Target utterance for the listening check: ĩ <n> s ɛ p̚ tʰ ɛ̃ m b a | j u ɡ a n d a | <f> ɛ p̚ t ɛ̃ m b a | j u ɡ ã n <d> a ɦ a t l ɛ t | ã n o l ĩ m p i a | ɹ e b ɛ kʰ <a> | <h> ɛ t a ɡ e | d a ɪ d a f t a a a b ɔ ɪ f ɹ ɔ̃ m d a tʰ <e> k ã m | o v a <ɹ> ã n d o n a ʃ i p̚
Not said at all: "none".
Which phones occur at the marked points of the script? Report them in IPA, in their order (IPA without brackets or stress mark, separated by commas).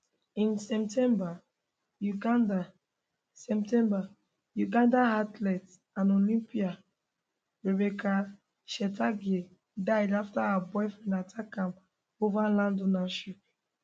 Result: n, s, d, a, ʃ, a, l